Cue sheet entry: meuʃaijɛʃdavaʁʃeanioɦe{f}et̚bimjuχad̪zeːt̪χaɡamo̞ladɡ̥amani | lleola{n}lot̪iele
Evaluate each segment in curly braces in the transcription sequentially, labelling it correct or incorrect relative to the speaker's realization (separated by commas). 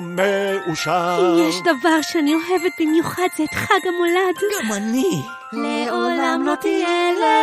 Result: incorrect, incorrect